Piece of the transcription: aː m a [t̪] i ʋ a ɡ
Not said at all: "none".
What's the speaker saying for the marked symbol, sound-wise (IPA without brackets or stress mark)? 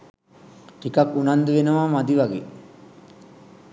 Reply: d̪